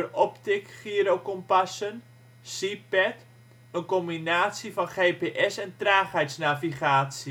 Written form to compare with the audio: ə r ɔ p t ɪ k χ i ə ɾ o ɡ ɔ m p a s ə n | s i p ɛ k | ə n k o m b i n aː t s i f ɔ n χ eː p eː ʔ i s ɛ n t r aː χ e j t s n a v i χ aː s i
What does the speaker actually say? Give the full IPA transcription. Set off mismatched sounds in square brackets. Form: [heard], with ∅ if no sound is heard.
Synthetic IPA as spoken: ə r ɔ p t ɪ k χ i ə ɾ o [k] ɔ m p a s ə n | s i p ɛ [t] | ə n k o m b i n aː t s i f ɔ n χ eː p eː ʔ [ɛ] s ɛ n t r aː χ [ɛ] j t s n a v i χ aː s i